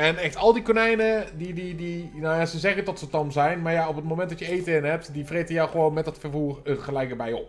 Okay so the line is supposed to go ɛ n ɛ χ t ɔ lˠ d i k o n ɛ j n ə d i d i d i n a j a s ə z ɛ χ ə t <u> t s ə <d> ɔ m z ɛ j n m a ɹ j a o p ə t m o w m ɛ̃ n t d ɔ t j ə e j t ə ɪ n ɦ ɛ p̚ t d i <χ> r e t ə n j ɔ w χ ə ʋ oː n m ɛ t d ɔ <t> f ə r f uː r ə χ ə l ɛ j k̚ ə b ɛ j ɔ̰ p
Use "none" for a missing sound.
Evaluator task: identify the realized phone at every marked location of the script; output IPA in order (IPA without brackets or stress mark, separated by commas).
ɔ, t, f, t